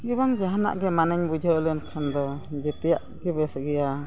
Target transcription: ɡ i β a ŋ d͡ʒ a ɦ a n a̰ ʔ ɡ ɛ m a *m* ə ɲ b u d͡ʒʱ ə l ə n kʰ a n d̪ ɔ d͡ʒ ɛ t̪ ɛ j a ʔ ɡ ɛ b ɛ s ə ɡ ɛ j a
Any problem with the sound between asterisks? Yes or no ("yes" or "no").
yes